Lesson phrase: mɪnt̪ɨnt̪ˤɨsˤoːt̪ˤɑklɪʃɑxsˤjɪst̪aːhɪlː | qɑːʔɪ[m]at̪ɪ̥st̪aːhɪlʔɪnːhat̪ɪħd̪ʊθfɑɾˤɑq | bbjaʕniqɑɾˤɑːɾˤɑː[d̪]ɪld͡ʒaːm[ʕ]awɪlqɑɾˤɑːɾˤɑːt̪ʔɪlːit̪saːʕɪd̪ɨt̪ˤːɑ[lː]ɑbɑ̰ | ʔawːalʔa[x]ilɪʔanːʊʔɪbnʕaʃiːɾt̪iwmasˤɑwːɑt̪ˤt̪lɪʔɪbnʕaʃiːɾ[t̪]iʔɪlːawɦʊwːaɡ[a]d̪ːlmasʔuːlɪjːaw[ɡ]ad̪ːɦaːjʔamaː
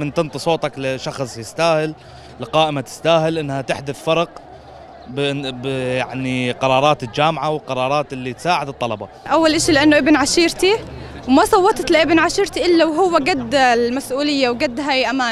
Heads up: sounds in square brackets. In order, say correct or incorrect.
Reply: correct, incorrect, correct, incorrect, incorrect, correct, correct, correct

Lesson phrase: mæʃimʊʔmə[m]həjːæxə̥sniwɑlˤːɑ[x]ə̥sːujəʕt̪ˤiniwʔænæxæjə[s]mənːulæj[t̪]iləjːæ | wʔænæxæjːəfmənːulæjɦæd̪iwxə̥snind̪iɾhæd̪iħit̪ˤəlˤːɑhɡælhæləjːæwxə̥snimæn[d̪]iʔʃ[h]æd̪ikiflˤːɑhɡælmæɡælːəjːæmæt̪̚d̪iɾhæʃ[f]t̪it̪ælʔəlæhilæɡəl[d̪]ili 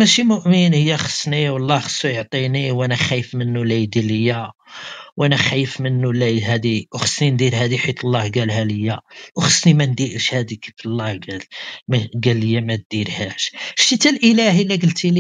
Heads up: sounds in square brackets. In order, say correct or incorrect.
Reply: incorrect, correct, incorrect, incorrect, correct, correct, incorrect, incorrect

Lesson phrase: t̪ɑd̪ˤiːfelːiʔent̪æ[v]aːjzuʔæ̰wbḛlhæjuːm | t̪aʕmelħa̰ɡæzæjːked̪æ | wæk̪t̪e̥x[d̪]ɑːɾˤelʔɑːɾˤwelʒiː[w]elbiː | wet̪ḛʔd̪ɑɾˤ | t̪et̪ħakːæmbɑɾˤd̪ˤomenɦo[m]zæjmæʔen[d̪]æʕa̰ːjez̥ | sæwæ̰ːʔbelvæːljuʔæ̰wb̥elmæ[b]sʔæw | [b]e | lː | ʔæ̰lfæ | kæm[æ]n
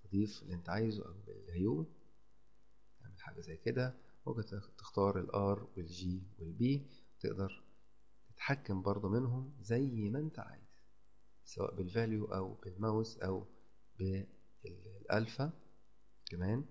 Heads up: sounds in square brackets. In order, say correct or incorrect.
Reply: incorrect, incorrect, correct, correct, incorrect, incorrect, correct, incorrect

